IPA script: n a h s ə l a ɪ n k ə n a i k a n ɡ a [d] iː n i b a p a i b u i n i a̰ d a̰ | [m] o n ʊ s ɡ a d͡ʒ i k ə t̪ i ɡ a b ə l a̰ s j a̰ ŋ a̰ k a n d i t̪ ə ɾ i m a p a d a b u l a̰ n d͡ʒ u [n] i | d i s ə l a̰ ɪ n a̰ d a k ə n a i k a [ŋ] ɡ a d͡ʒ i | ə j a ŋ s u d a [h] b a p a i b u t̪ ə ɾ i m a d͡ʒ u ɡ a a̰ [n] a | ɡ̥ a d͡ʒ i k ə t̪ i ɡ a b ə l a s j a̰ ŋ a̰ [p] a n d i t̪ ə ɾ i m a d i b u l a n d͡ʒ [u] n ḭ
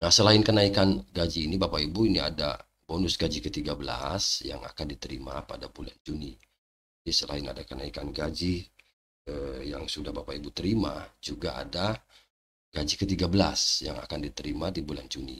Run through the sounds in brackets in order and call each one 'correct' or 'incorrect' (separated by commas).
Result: incorrect, incorrect, correct, incorrect, correct, incorrect, incorrect, correct